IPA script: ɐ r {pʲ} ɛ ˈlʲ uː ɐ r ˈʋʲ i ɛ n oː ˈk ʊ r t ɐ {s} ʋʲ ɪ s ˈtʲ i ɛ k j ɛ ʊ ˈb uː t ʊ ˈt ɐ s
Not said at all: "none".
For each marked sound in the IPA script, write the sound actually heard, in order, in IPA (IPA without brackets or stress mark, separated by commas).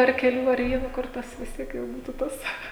kʲ, s